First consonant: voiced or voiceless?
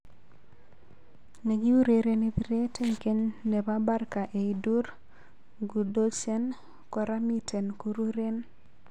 voiced